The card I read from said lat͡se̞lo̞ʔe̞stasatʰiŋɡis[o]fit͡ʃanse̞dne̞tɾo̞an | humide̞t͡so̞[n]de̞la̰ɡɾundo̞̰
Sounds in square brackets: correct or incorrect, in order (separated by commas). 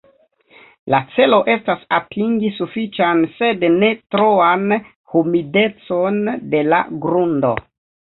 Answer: incorrect, correct